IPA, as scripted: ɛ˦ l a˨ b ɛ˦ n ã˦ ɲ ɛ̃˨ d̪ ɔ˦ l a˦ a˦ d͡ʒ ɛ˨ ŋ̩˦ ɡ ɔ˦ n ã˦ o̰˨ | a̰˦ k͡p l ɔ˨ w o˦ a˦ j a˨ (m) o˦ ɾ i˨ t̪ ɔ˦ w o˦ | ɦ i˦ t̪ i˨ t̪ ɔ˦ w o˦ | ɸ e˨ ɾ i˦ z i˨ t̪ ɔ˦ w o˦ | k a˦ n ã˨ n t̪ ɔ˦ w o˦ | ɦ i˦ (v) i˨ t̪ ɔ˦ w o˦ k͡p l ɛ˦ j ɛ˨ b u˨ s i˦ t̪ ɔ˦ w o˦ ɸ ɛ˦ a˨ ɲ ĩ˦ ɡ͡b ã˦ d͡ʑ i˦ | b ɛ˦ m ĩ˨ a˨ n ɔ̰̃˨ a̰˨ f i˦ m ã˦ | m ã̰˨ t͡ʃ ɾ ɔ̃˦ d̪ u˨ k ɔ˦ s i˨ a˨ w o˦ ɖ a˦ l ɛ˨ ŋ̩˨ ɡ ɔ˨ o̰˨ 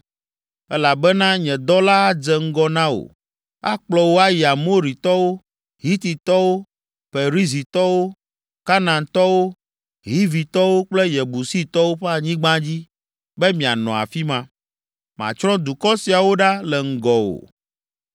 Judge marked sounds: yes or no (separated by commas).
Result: yes, yes